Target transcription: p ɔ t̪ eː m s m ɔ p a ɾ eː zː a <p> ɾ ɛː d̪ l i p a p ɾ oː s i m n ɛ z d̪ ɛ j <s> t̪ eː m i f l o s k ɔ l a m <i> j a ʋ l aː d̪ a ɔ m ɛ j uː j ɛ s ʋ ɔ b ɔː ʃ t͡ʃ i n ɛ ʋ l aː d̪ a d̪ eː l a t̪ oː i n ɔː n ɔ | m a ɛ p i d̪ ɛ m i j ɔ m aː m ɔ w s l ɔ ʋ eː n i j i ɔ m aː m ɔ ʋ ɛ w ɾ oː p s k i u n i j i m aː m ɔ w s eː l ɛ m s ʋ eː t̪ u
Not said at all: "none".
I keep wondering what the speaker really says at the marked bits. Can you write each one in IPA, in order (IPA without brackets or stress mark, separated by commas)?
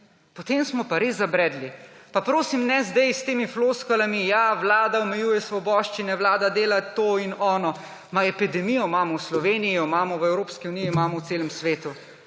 b, s, i